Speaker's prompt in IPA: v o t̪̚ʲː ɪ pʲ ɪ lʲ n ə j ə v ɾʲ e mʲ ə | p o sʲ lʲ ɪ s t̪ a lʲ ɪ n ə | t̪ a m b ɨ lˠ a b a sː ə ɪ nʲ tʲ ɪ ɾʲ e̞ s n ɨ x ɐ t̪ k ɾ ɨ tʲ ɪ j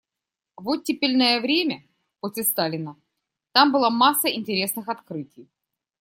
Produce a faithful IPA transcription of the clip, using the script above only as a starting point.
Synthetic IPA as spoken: v o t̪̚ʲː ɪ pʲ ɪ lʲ n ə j ə v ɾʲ e mʲ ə | p o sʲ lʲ ɪ s t̪ a lʲ ɪ n ə | t̪ a m b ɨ lˠ a m a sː ə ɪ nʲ tʲ ɪ ɾʲ e̞ s n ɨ x ɐ t̪ k ɾ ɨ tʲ ɪ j